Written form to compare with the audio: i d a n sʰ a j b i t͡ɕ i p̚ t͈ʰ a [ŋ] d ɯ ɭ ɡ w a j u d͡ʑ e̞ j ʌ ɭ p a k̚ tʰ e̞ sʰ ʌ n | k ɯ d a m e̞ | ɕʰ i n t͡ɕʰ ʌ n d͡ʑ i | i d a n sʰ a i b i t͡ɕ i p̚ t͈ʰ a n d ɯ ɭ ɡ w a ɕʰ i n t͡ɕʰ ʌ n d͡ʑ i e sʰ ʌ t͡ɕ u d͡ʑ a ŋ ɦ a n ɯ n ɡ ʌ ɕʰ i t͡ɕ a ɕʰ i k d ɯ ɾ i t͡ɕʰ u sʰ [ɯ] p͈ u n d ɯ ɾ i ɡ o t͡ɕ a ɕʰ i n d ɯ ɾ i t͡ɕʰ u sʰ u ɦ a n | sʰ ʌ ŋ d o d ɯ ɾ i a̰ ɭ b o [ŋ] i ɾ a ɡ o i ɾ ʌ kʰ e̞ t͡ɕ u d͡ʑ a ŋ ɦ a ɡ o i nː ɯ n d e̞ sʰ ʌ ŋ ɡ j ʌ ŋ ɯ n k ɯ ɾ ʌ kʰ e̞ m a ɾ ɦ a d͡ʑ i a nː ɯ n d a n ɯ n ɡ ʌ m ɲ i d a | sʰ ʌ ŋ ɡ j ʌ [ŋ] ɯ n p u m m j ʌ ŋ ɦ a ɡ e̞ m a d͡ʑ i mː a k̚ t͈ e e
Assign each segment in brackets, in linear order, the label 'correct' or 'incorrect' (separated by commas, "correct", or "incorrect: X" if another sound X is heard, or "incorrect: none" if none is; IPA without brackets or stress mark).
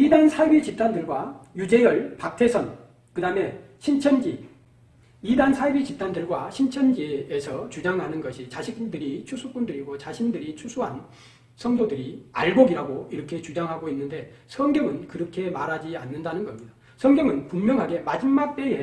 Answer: incorrect: n, incorrect: u, incorrect: ɡ, correct